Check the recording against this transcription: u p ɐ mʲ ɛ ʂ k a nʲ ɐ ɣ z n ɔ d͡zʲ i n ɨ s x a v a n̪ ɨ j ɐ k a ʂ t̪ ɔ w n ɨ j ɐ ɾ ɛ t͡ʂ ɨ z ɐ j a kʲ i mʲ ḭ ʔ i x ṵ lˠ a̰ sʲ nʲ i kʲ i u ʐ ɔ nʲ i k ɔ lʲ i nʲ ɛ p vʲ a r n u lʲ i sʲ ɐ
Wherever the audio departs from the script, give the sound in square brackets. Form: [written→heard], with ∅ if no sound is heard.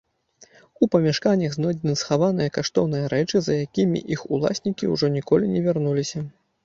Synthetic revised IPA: u p ɐ mʲ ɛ ʂ k a nʲ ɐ ɣ z n ɔ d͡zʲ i n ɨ s x a v a n̪ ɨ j ɐ k a ʂ t̪ ɔ w n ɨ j ɐ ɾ ɛ t͡ʂ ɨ z ɐ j a kʲ i mʲ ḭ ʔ i x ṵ lˠ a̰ sʲ nʲ i kʲ i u ʐ ɔ nʲ i k ɔ lʲ i nʲ ɛ [p→∅] vʲ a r n u lʲ i sʲ ɐ